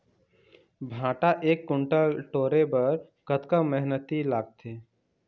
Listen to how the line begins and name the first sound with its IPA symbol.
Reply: bʱ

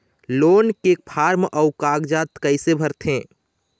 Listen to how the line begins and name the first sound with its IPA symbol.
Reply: l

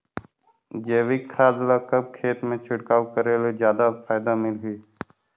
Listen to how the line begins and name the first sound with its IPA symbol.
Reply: d͡ʒ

